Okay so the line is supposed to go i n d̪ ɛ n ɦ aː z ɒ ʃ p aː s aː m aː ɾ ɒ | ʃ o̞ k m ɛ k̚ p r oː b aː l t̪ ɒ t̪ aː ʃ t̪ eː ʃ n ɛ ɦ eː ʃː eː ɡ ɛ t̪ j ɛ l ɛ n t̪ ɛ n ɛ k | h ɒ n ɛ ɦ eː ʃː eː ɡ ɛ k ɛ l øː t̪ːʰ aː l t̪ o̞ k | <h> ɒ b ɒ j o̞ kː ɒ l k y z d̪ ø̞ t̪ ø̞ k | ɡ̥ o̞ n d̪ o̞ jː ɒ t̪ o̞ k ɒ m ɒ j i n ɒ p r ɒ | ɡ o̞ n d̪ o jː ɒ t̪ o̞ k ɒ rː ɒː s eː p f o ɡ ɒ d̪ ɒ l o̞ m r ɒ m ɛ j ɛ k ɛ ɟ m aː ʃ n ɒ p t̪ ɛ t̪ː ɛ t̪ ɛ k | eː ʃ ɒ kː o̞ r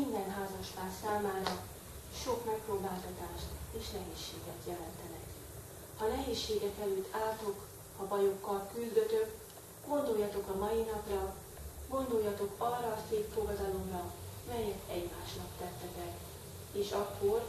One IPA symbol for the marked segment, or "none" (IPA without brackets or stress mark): h